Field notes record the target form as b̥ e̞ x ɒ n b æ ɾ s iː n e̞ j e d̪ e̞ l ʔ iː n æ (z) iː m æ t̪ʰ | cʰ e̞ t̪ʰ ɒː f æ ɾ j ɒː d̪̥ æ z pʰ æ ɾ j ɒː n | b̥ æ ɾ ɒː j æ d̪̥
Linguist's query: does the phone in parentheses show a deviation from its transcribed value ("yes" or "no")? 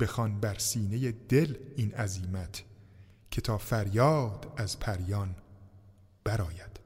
no